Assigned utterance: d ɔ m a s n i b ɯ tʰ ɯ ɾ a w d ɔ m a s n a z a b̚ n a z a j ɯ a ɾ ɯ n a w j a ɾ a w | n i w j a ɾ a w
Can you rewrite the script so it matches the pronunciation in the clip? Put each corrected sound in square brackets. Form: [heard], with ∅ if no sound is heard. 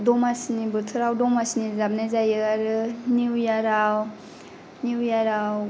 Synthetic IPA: d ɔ m a s n i b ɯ tʰ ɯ ɾ a w d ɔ m a s n [i] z a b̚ n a z a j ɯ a ɾ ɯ n [i] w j a ɾ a w | n i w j a ɾ a w